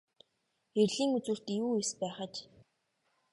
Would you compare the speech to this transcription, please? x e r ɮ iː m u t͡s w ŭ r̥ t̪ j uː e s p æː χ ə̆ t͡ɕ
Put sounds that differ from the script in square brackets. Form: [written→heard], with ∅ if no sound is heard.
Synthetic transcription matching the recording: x e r ɮ iː [m→ŋ] u t͡s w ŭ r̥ t̪ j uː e s p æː χ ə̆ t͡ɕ